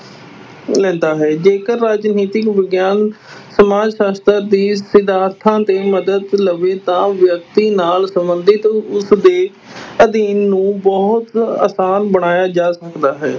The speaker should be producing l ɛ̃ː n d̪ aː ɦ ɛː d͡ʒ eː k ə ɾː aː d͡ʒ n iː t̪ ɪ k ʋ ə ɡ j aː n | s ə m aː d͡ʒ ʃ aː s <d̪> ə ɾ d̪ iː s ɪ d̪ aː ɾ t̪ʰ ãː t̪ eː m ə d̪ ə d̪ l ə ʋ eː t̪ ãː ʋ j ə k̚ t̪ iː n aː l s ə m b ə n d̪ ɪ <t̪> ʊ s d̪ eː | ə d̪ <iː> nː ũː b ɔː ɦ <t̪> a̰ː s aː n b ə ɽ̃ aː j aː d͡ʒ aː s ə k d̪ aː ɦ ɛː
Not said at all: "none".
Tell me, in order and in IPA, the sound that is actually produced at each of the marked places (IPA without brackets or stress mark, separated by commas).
t̪, t̪, iː, t̪